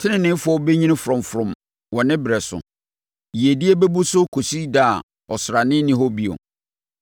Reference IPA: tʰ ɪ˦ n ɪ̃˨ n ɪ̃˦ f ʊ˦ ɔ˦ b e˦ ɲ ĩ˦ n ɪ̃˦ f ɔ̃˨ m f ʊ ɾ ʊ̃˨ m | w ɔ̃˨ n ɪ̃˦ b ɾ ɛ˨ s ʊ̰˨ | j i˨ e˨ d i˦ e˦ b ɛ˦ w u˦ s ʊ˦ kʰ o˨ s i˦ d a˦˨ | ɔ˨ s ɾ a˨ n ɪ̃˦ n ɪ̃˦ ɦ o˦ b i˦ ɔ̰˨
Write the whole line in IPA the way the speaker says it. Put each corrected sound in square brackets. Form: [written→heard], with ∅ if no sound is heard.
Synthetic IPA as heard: tʰ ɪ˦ n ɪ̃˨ n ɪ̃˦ f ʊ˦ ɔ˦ b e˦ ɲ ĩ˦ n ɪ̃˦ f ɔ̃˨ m f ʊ ɾ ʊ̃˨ m | w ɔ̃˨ n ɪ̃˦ b ɾ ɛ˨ s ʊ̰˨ | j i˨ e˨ d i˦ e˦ b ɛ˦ [w→b] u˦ s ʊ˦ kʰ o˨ s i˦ d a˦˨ | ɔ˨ s ɾ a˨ n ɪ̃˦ n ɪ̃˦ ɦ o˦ b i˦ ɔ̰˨